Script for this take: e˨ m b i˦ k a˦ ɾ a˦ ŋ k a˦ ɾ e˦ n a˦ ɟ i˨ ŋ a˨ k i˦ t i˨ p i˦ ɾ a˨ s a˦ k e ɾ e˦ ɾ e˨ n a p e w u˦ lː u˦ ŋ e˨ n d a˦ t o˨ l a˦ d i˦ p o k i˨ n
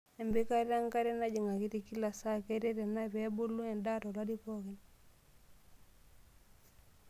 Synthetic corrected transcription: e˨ m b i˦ k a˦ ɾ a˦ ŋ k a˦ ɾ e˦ n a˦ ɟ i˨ ŋ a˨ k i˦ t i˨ k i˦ l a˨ s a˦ k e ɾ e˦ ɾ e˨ n a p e b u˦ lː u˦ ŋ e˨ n d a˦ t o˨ l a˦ d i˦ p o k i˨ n